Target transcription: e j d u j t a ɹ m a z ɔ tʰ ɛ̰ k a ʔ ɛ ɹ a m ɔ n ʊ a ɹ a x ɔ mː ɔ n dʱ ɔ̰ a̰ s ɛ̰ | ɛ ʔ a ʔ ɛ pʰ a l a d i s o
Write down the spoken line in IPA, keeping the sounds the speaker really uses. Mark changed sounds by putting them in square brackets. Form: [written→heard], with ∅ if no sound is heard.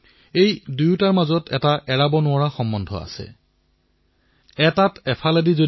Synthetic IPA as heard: e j d u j t a ɹ m a z ɔ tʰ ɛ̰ [k→t] a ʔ ɛ ɹ a [m→b] ɔ n ʊ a ɹ a x ɔ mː ɔ n dʱ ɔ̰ a̰ s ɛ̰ | ɛ [ʔ→t] a [ʔ→t] ɛ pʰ a l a d i [s→z] o